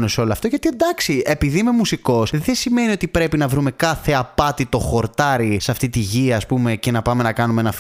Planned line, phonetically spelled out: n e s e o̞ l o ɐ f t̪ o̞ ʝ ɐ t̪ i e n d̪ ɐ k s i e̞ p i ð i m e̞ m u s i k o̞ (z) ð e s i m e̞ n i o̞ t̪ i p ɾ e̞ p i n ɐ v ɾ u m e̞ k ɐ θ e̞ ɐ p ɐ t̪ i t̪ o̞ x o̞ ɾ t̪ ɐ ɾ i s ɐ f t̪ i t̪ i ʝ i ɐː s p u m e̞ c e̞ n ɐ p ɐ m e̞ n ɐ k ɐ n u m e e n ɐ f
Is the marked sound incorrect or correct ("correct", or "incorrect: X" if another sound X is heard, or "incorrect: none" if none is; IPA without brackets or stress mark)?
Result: incorrect: s